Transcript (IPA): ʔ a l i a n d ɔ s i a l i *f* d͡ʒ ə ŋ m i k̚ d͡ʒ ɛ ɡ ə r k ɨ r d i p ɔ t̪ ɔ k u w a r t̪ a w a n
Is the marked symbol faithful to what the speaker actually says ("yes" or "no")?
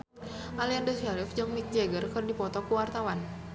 yes